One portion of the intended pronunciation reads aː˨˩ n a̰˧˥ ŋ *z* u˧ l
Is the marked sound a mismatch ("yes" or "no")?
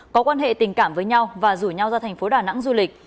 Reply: no